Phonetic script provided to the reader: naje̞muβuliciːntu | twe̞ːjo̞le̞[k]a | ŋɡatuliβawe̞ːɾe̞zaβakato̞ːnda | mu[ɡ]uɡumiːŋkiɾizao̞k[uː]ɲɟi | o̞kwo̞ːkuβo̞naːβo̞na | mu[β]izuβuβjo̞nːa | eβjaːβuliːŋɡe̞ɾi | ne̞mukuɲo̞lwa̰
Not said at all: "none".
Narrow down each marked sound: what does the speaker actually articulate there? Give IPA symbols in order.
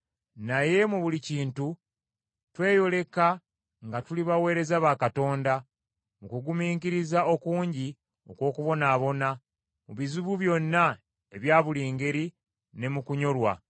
k, k, uː, β

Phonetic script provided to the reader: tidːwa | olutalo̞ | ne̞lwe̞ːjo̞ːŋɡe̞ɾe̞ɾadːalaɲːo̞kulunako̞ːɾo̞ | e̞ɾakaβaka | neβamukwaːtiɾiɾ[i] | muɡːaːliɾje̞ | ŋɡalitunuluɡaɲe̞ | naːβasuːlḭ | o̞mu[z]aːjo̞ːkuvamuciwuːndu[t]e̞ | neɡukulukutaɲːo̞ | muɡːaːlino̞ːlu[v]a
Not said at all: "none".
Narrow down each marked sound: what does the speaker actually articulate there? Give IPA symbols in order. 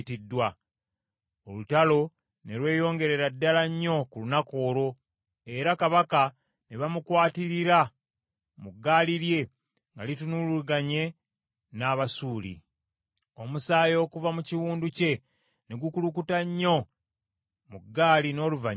a, s, c, v

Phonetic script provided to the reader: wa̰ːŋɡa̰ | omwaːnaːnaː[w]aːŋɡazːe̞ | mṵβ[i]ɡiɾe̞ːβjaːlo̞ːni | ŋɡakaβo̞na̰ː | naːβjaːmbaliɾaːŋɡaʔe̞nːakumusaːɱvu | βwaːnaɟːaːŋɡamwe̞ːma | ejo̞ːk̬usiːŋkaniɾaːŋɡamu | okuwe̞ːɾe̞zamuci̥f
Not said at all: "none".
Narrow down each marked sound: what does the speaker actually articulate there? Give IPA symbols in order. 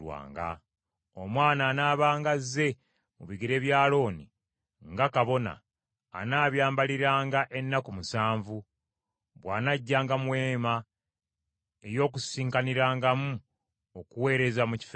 β, i

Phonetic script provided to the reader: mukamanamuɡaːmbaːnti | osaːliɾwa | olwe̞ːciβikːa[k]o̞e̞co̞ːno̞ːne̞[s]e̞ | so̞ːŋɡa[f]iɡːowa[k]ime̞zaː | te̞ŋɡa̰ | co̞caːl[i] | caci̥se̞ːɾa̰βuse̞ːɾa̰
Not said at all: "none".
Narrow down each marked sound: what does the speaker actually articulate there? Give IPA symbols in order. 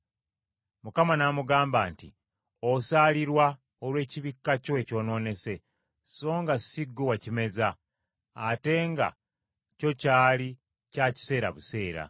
c, s, s, c, i

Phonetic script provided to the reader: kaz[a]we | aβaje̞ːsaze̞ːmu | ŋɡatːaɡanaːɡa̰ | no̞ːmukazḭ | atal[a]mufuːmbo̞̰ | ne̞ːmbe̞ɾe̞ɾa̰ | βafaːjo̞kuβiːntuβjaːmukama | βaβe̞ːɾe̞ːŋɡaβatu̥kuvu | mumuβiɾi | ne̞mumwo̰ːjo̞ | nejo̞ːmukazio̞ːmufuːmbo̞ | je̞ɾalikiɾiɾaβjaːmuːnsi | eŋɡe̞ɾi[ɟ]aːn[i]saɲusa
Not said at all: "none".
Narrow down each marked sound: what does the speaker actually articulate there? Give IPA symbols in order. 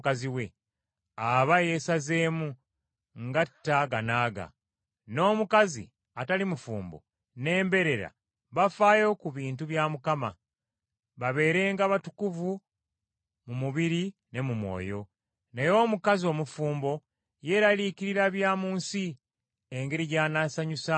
i, i, ɟ, a

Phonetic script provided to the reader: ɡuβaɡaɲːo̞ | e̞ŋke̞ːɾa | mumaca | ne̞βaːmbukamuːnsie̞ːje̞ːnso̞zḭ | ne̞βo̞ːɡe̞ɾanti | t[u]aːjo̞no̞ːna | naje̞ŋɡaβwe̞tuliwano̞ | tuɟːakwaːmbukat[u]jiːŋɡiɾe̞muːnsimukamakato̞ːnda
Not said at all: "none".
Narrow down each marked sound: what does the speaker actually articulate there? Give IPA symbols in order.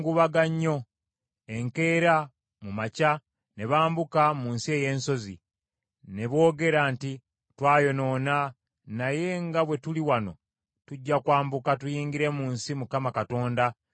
w, u

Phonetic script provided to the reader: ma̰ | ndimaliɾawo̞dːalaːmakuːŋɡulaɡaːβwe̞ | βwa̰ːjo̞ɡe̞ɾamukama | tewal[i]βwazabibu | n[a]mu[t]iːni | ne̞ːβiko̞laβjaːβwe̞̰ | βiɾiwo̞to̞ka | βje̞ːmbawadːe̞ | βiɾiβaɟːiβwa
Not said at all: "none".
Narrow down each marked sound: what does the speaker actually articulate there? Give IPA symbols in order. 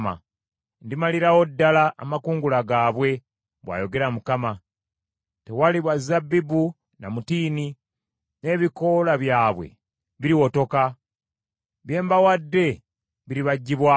i, a, t

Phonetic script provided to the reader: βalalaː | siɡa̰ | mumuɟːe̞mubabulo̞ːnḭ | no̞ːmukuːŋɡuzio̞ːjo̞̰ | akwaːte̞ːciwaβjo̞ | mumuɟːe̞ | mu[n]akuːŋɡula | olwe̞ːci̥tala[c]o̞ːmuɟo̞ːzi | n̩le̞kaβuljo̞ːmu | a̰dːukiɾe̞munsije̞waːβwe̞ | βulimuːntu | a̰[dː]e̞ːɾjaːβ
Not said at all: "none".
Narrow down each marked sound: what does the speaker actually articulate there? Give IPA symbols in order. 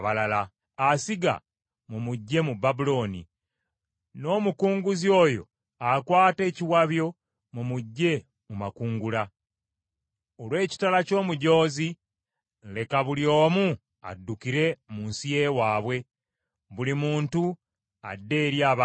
m, c, dː

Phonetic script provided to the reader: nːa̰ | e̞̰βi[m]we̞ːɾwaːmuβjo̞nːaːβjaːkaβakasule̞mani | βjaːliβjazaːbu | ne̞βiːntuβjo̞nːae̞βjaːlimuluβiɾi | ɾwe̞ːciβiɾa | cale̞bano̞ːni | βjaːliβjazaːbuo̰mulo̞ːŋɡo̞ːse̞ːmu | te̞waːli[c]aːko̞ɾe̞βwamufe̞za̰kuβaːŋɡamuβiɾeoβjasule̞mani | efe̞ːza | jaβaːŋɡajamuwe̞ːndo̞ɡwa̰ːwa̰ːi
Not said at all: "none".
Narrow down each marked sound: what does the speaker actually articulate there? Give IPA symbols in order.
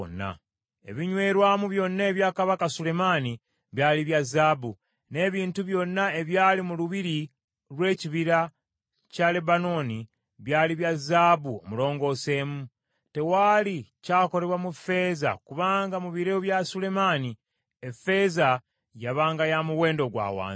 ɲ, c

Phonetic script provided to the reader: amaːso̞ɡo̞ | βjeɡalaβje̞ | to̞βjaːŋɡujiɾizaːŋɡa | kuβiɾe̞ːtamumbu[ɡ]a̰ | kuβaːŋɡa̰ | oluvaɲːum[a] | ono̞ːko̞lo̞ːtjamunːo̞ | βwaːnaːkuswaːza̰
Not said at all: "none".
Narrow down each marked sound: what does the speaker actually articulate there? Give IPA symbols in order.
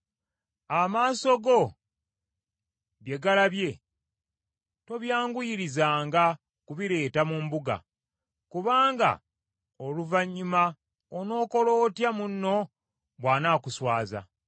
ɡ, a

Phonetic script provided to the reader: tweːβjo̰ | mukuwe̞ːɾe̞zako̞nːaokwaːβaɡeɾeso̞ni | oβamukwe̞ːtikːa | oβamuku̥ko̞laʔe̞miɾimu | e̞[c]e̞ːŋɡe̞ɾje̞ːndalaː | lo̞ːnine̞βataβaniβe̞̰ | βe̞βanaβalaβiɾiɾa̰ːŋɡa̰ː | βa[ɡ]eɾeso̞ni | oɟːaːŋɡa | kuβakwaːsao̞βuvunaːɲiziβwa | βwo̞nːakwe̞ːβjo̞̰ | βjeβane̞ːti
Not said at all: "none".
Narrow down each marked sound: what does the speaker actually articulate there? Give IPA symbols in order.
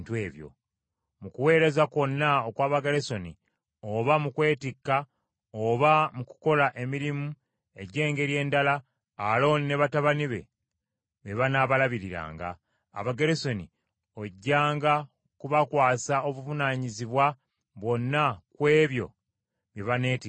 ɟ, ɡ

